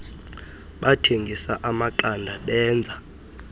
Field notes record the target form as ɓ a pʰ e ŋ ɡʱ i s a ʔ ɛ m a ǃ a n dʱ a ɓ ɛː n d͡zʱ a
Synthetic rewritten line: ɓ a tʰ e ŋ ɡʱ i s a ʔ a m a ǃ a n dʱ a ɓ ɛː n d͡zʱ a